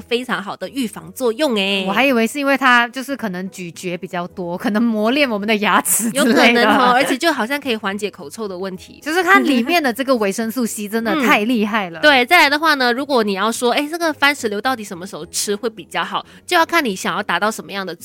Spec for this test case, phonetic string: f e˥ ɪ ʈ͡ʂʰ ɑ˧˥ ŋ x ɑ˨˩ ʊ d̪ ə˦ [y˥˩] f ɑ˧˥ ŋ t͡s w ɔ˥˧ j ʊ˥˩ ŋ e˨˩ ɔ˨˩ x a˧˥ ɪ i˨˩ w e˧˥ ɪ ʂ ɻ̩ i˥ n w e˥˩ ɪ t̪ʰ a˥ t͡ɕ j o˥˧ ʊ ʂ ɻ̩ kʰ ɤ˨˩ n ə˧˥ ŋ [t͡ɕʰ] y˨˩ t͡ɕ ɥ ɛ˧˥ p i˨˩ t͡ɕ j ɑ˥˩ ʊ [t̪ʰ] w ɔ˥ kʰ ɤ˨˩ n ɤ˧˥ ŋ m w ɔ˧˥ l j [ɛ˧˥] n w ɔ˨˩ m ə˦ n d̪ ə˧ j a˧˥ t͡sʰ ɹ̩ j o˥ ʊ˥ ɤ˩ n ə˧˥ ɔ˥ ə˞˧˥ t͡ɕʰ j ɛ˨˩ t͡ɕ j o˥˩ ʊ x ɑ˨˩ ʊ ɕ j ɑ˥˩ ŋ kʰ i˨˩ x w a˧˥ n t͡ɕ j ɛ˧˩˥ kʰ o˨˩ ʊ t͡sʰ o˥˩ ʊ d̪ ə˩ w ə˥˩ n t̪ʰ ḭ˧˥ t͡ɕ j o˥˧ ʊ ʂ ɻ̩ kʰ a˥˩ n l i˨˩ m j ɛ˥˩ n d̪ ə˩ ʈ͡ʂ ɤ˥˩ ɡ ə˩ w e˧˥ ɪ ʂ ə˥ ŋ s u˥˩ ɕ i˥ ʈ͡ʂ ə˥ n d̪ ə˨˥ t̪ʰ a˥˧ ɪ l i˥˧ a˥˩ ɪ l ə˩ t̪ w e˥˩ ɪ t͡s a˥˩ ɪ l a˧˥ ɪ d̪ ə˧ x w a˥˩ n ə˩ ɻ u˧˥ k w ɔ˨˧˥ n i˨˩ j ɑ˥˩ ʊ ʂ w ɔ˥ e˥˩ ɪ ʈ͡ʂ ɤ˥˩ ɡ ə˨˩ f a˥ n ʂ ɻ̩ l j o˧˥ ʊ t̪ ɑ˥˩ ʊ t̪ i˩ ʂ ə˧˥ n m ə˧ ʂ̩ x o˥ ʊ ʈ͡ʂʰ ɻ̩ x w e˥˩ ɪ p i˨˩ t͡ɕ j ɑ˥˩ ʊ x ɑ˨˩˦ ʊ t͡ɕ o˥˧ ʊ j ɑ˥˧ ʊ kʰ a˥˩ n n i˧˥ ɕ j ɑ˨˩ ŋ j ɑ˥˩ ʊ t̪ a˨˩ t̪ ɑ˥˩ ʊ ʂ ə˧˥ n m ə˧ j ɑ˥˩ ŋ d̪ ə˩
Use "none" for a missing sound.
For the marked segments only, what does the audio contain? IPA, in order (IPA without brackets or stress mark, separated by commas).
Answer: y˥˩, t͡ɕ, t̪, ɛ˥˩